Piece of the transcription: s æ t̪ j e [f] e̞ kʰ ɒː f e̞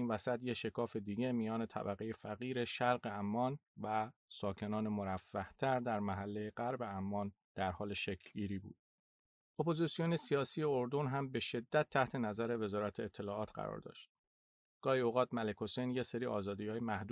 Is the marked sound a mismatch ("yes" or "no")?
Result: yes